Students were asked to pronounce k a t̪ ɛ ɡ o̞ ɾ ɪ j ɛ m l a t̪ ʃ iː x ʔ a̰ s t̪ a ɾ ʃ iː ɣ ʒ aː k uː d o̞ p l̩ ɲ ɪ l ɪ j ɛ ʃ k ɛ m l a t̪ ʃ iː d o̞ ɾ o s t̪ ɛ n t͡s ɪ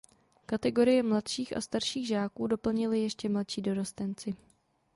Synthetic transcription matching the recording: k a t̪ ɛ ɡ o̞ ɾ ɪ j ɛ m l a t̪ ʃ iː x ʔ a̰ s t̪ a ɾ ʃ iː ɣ ʒ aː k uː d o̞ p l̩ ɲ ɪ l ɪ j ɛ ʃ c ɛ m l a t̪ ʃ iː d o̞ ɾ o s t̪ ɛ n t͡s ɪ